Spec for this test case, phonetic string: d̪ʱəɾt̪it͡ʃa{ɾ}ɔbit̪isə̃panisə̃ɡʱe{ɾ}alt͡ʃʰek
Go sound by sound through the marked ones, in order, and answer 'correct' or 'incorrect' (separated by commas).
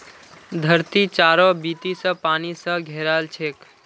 correct, correct